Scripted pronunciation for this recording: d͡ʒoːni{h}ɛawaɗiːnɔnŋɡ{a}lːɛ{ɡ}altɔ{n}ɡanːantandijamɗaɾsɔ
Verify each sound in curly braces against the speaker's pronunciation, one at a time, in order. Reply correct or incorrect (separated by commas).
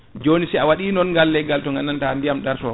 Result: incorrect, correct, correct, incorrect